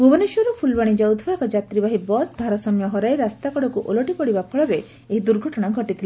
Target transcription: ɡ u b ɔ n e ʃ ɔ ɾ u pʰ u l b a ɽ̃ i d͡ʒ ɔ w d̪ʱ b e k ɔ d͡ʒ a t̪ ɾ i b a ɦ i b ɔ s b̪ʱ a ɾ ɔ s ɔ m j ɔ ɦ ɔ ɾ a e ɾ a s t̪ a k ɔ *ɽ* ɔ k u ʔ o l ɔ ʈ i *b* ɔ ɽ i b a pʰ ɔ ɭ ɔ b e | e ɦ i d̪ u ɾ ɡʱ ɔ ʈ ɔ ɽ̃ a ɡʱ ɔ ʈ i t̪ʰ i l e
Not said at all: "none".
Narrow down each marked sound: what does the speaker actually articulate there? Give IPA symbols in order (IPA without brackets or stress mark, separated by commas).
ɽ, p